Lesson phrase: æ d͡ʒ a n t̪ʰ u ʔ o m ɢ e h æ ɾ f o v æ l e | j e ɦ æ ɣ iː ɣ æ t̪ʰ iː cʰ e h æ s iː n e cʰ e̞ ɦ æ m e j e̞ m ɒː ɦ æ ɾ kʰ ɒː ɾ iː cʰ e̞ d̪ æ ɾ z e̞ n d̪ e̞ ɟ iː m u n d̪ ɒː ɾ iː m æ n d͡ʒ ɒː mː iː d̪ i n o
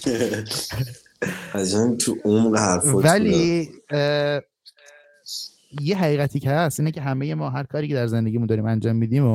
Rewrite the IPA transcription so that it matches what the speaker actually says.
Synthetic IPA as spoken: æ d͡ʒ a n t̪ʰ u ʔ o m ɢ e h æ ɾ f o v æ l i | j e ɦ æ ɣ iː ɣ æ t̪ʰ iː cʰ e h æ s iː n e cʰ e̞ ɦ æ m e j e̞ m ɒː ɦ æ ɾ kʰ ɒː ɾ iː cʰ e̞ d̪ æ ɾ z e̞ n d̪ e̞ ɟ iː m u n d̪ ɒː ɾ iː m æ n d͡ʒ ɒː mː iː d̪ i m o